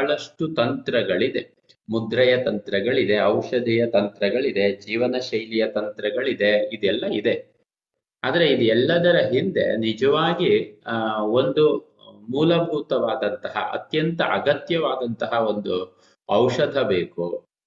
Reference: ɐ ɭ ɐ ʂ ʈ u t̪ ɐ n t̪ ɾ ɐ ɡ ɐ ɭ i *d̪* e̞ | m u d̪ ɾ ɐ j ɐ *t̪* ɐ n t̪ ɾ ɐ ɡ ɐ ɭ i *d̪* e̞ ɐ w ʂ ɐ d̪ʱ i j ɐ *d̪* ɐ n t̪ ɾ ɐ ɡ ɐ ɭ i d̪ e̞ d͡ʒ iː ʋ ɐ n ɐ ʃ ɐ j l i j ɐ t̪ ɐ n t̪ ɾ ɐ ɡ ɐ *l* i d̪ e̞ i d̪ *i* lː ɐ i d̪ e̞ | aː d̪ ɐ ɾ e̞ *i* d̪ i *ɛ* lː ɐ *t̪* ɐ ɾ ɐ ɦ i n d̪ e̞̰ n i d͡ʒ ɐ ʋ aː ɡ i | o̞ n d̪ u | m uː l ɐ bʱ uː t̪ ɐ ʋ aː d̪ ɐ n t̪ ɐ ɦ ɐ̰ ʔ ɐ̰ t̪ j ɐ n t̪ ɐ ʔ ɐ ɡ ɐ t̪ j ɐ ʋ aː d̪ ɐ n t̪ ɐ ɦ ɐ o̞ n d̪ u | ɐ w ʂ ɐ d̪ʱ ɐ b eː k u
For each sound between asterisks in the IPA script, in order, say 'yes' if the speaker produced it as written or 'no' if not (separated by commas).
yes, yes, yes, no, no, no, yes, yes, no